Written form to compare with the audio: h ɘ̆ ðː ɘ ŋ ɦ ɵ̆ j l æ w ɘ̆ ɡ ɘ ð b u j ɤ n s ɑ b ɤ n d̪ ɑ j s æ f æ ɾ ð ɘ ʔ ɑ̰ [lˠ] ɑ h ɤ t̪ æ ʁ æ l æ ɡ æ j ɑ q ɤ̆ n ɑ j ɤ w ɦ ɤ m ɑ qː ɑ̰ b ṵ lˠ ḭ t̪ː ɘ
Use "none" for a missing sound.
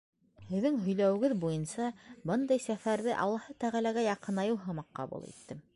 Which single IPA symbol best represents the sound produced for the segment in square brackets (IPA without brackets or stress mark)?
lˠː